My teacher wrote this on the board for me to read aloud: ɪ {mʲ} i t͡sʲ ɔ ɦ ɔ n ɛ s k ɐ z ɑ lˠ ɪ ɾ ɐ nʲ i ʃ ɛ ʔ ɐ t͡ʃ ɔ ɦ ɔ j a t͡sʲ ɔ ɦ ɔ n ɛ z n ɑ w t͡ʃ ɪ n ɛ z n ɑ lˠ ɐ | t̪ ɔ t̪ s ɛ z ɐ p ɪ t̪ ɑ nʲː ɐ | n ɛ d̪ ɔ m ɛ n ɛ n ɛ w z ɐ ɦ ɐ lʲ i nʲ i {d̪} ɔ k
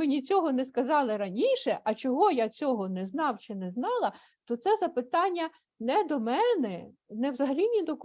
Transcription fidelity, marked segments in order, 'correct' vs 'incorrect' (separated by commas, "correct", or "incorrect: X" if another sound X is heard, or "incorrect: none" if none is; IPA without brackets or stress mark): incorrect: nʲ, correct